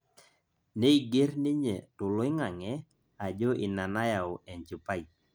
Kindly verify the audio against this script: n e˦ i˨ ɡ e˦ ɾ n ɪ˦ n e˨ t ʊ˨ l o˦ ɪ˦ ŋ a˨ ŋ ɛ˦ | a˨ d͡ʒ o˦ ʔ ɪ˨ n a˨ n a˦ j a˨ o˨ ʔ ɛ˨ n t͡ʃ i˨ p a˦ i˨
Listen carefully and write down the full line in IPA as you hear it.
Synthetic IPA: n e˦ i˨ ɡ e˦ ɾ n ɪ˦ ɲ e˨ t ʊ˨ l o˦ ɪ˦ ŋ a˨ ŋ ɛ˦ | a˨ d͡ʒ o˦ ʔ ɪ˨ n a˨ n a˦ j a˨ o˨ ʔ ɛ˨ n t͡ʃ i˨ p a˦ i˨